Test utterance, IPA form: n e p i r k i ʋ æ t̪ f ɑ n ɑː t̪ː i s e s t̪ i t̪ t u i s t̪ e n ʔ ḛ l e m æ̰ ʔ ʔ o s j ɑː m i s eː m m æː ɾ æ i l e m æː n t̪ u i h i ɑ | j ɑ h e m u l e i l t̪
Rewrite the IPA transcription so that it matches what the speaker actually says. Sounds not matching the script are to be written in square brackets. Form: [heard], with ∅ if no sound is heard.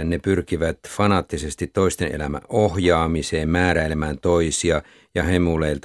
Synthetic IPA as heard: n e p [y] r k i ʋ æ t̪ f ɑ n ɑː t̪ː i s e s t̪ i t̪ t [o] i s t̪ e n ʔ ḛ l [æ] m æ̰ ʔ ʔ o [h] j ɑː m i s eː m m æː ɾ æ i l e m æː n t̪ [o] i [s] i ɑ | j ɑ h e m u l e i l t̪